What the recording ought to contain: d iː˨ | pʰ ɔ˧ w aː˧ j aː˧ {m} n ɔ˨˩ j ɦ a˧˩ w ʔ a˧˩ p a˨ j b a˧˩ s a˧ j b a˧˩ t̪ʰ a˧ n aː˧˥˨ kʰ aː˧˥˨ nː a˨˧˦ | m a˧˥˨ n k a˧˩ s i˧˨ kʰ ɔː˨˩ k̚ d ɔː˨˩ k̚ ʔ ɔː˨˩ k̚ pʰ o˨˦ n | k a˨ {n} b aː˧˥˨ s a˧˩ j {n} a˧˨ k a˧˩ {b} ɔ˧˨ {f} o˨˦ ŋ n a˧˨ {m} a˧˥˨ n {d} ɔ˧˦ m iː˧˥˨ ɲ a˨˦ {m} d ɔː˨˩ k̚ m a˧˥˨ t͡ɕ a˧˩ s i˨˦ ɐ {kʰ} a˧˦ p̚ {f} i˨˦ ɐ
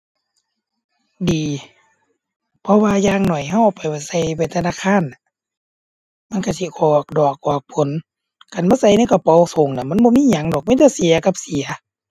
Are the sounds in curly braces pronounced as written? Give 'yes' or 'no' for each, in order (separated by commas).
no, yes, yes, no, no, yes, no, no, no, no